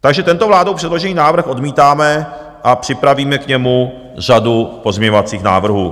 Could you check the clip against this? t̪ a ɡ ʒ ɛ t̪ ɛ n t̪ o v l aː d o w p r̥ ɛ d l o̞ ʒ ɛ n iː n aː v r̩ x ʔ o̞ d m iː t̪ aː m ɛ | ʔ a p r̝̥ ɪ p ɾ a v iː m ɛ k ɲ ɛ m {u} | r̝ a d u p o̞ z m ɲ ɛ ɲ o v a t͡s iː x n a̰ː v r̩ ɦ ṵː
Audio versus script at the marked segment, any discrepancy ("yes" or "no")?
no